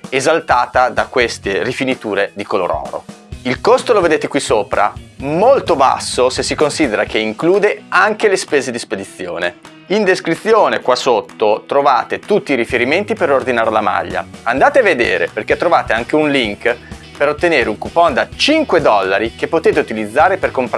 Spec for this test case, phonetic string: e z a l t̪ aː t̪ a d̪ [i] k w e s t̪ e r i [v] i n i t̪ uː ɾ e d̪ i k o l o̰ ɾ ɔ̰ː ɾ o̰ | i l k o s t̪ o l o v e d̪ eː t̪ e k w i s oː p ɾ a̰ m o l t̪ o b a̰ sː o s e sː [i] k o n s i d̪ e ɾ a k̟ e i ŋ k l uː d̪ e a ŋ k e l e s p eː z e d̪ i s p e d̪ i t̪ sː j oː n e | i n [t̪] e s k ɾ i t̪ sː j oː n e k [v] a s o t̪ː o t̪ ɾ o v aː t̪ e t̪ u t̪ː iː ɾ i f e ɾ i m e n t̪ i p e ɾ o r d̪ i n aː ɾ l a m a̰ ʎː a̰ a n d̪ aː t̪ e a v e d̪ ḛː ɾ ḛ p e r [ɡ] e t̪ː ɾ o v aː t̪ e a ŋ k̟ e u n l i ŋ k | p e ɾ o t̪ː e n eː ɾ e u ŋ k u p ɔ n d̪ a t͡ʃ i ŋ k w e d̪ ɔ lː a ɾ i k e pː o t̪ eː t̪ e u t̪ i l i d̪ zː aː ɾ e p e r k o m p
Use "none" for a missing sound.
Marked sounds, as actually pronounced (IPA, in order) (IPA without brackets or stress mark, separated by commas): a, f, i, d̪, w, k